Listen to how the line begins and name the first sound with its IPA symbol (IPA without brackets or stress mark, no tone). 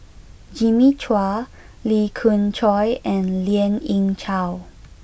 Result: d͡ʒ